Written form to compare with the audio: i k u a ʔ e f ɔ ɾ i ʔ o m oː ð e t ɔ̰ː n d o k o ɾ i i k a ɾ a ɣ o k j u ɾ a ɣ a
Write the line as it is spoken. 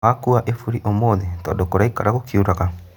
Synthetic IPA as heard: a k u a ʔ e f u ɾ i ʔ o m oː ð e t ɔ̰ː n d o k o ɾ a i k a ɾ a ɣ o k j u ɾ a ɣ a